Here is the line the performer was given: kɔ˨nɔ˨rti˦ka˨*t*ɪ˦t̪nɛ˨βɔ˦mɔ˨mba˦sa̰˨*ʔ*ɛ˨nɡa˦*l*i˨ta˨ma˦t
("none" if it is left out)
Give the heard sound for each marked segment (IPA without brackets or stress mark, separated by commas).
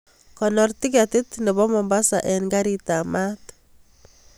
t, ʔ, ɾ